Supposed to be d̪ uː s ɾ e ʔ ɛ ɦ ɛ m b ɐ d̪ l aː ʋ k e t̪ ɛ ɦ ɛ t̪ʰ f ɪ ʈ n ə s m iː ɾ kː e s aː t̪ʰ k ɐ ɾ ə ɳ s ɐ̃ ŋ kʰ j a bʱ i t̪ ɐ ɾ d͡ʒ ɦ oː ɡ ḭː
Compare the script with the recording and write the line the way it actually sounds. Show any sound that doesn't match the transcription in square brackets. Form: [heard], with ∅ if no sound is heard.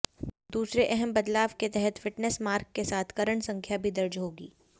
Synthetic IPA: d̪ uː s ɾ e ʔ ɛ ɦ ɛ m b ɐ d̪ l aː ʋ k e t̪ ɛ ɦ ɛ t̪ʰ f ɪ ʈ n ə s m [aː] ɾ kː e s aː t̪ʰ k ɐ ɾ ə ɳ s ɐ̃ ŋ kʰ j a bʱ i [d̪] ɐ ɾ d͡ʒ ɦ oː ɡ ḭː